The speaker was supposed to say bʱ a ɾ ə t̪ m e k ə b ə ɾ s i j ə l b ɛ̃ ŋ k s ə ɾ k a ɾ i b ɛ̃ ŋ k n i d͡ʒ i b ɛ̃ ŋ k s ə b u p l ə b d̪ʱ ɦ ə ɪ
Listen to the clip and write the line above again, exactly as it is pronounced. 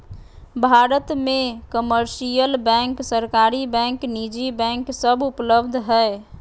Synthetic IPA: bʱ a ɾ ə t̪ m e k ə m ə ɾ s i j ə l b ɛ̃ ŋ k s ə ɾ k a ɾ i b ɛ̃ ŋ k n i d͡ʒ i b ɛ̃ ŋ k s ə b u p l ə b d̪ʱ ɦ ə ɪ